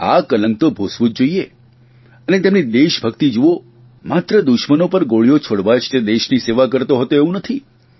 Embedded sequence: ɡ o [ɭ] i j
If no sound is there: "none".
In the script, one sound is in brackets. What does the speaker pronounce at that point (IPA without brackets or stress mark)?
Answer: ɭ